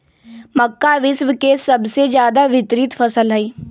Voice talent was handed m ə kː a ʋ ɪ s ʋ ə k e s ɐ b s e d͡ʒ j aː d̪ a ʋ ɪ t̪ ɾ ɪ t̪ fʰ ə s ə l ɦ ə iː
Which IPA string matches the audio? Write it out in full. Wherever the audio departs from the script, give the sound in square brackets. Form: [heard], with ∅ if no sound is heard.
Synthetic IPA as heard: m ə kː a ʋ ɪ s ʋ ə k e s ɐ b s e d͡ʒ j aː d̪ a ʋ ɪ t̪ ɾ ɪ t̪ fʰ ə s ə l ɦ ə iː